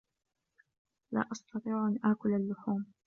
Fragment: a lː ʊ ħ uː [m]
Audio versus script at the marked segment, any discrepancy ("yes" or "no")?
no